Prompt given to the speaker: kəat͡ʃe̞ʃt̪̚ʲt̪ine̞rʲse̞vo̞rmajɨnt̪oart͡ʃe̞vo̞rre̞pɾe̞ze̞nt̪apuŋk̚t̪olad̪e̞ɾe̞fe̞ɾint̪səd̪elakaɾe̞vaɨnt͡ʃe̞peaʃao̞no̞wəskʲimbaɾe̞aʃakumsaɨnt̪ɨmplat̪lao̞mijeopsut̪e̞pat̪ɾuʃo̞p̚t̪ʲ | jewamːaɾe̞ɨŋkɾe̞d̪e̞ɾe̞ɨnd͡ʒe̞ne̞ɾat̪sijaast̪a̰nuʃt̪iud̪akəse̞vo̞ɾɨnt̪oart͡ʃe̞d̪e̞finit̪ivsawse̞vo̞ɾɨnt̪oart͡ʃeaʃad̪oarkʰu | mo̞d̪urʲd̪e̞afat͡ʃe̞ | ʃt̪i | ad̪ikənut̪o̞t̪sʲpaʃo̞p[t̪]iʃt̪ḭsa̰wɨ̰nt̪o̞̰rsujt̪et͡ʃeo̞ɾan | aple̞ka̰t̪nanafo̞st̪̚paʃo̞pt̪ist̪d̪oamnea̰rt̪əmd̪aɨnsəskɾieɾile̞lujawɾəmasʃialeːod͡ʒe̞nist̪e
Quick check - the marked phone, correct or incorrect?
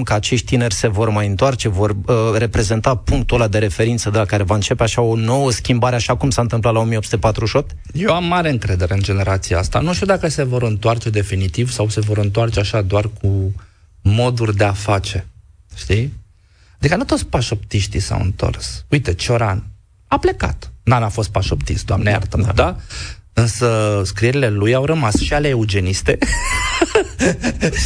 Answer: correct